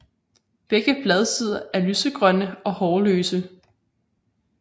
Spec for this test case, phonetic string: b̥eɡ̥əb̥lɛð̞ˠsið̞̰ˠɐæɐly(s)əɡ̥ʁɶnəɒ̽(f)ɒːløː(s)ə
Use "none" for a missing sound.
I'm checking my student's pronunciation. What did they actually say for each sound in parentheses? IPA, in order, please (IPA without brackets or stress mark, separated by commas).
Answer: s, h, s